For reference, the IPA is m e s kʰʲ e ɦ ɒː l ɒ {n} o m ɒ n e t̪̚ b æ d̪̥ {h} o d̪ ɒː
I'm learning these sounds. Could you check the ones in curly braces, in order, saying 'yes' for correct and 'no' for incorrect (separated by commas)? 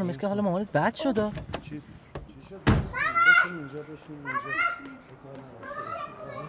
no, no